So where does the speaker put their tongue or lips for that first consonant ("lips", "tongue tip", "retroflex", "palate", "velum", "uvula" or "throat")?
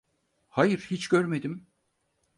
throat